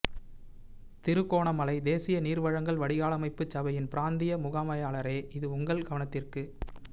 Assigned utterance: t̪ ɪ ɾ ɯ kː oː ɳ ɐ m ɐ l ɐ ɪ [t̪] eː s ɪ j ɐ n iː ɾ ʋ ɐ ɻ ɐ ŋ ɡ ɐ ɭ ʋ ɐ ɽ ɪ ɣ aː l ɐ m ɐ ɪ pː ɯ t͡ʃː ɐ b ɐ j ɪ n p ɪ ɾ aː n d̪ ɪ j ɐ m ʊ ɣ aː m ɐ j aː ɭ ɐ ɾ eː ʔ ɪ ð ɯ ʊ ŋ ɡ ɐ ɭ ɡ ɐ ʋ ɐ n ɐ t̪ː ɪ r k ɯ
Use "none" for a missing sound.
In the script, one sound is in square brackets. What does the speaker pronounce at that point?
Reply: d̪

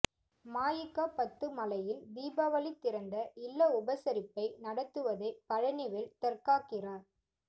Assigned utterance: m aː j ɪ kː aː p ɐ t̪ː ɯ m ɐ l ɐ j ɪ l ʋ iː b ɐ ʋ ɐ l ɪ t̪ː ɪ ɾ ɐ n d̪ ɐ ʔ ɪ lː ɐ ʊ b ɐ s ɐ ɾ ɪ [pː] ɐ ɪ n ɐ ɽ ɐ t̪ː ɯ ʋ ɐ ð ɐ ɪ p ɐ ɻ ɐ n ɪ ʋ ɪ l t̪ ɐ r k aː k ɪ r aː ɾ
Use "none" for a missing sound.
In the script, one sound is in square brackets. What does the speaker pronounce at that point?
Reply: pː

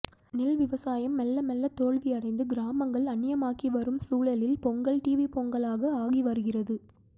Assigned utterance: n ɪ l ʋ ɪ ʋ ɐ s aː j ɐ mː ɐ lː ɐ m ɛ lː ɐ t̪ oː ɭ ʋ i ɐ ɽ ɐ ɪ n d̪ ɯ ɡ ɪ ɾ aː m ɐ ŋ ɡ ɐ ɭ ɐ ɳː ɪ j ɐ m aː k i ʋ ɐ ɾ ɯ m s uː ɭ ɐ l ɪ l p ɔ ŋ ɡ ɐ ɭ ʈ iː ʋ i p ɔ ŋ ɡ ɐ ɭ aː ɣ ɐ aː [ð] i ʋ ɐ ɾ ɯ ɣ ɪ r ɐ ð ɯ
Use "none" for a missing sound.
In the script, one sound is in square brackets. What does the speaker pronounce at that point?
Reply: ɣ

